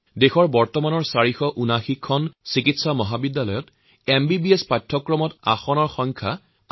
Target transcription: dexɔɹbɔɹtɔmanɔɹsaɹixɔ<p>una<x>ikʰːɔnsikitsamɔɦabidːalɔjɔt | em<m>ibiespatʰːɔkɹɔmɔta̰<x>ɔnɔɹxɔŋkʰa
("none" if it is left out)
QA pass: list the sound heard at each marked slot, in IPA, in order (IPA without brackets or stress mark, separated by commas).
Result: ʔ, x, b, x